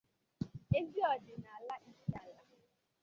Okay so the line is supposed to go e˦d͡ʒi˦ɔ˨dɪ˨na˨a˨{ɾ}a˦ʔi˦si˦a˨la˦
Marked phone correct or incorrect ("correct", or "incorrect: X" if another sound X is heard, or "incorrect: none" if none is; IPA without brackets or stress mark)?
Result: incorrect: l